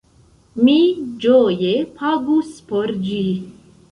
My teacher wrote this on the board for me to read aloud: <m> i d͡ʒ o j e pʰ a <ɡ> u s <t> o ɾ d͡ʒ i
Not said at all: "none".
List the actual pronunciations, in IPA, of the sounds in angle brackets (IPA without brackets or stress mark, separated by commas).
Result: m, ɡ, p